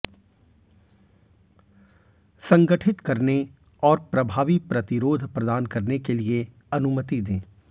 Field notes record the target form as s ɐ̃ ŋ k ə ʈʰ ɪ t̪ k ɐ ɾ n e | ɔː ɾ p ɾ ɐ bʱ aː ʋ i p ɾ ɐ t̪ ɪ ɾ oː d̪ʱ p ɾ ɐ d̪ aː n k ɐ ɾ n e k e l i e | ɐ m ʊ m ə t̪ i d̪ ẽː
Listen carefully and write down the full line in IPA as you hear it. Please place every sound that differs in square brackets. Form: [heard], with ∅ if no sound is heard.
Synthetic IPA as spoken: s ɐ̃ ŋ [ɡ] ə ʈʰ ɪ t̪ k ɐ ɾ n e | ɔː ɾ p ɾ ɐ bʱ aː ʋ i p ɾ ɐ t̪ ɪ ɾ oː d̪ʱ p ɾ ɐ d̪ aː n k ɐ ɾ n e k e l i e | ɐ [n] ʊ m ə t̪ i d̪ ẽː